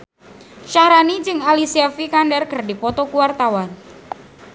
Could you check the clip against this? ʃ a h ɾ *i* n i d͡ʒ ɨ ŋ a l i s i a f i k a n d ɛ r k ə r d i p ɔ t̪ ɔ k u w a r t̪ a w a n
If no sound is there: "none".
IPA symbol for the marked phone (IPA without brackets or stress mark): a